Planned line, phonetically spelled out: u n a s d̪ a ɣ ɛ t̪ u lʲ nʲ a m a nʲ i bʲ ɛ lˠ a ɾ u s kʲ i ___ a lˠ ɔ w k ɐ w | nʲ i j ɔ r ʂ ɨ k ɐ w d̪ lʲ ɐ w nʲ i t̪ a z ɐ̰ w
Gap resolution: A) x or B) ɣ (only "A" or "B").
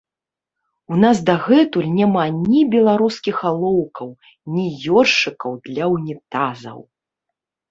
A